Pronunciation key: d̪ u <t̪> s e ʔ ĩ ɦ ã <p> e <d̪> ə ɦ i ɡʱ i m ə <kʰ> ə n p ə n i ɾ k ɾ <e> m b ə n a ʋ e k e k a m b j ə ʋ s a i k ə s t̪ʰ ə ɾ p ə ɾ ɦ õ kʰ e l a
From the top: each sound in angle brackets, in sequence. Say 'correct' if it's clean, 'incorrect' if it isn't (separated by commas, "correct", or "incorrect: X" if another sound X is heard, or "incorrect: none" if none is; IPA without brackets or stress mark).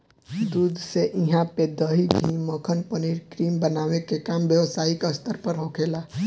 incorrect: d̪, correct, correct, correct, incorrect: i